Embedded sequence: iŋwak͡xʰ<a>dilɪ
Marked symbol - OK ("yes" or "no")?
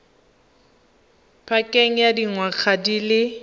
yes